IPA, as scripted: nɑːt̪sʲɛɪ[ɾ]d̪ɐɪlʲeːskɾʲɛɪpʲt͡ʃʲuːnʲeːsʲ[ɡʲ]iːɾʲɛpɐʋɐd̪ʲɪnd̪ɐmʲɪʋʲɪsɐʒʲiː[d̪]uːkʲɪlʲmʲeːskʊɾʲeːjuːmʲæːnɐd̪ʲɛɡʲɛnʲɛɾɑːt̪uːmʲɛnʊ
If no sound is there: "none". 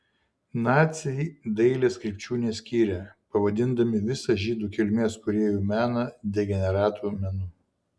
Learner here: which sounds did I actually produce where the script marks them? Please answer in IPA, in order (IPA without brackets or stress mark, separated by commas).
none, kʲ, d̪